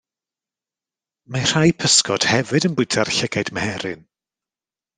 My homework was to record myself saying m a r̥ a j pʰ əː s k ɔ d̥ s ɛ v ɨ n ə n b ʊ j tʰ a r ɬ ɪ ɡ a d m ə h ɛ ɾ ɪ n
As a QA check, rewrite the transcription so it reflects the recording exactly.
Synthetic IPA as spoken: m a r̥ a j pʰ ə s k ɔ d̥ h ɛ v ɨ d ə n b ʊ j tʰ a r ɬ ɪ ɡ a d m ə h ɛ ɾ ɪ n